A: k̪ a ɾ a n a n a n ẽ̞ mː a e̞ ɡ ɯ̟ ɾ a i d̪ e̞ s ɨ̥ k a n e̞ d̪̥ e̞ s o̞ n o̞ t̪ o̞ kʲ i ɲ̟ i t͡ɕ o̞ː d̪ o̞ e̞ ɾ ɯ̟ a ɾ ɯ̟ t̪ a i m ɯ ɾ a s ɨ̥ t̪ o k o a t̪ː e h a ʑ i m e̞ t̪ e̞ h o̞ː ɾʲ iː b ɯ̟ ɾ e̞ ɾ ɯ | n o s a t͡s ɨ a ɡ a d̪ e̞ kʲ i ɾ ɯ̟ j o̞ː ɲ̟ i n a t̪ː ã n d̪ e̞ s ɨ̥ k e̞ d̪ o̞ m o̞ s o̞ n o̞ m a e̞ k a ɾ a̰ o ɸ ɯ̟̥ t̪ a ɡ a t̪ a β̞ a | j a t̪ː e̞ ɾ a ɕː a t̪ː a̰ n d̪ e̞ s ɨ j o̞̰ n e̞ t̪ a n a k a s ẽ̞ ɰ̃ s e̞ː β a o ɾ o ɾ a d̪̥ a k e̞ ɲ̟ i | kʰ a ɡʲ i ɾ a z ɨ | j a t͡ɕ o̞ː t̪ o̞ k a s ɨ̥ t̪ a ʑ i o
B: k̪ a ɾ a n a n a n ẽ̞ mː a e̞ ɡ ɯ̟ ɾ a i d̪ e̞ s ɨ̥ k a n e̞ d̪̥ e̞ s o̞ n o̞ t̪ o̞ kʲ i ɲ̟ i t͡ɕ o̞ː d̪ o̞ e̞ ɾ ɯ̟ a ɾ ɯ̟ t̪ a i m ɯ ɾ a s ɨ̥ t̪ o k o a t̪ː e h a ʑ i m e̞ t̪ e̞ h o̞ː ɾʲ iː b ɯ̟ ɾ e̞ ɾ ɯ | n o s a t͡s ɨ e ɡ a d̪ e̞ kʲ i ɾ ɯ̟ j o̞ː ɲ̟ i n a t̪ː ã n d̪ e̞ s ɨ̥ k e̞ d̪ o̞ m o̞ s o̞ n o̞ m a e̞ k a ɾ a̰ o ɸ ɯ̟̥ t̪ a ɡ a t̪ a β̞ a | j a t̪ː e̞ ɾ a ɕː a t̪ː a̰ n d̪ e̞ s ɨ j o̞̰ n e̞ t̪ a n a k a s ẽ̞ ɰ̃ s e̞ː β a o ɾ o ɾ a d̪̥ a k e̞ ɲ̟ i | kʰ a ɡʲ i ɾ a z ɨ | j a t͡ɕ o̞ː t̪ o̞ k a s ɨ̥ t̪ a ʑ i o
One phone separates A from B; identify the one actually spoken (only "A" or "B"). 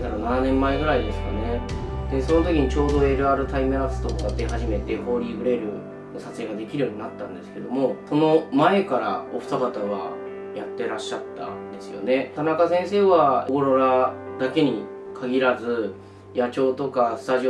B